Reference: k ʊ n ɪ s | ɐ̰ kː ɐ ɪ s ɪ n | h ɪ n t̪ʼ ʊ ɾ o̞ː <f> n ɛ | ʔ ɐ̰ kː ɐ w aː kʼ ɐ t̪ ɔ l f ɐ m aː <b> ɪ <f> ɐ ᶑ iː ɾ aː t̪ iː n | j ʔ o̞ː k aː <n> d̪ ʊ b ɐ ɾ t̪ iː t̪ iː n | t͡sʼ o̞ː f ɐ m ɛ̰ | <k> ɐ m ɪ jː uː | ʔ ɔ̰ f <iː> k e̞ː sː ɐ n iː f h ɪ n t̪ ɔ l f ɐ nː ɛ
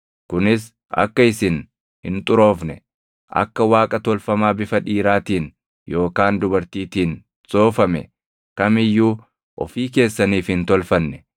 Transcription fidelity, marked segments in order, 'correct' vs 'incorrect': correct, correct, correct, correct, correct, correct

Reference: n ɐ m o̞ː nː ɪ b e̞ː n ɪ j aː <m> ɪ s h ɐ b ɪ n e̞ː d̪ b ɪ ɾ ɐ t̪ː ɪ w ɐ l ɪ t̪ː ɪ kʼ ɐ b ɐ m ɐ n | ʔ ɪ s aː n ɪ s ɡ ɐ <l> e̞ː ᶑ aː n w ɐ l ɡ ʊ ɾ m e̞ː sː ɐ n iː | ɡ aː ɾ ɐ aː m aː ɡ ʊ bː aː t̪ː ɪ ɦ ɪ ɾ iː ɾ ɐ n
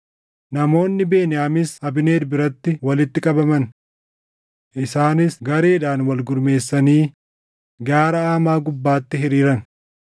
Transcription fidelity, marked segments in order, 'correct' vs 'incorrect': correct, incorrect: ɾ

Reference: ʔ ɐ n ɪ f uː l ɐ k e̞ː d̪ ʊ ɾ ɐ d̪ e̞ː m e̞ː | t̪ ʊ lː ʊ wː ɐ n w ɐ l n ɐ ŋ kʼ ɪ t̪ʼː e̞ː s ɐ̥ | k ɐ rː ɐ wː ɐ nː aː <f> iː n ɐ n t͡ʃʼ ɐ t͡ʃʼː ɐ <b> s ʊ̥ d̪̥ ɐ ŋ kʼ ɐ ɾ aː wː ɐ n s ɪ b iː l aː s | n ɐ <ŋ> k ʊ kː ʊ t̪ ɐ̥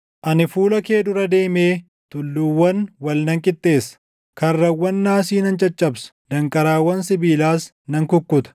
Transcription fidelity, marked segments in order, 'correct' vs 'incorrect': incorrect: s, correct, correct

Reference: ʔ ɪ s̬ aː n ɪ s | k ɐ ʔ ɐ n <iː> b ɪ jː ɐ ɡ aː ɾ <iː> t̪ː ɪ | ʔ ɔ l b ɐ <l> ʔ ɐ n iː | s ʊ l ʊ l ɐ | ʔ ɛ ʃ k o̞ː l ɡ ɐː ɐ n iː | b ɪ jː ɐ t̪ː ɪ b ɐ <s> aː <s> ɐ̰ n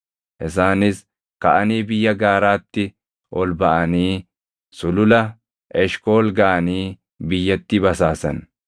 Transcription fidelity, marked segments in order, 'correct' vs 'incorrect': correct, incorrect: aː, incorrect: none, correct, correct

